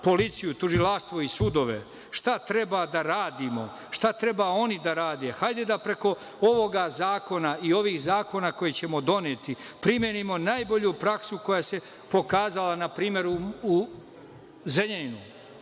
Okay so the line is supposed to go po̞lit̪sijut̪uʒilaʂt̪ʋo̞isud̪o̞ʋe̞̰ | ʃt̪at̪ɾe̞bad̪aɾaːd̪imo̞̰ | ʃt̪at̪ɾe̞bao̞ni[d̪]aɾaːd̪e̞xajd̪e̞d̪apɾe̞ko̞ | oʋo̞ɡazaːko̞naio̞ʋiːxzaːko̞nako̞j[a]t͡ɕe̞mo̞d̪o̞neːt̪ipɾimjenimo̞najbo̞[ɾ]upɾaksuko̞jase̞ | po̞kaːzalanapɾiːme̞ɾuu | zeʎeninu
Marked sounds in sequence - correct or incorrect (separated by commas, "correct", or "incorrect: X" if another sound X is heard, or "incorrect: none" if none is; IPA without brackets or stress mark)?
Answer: correct, incorrect: e, incorrect: ʎ